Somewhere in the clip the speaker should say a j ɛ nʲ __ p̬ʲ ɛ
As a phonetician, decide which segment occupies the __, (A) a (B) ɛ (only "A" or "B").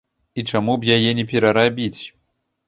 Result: B